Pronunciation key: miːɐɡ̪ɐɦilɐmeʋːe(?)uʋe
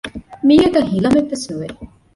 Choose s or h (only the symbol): s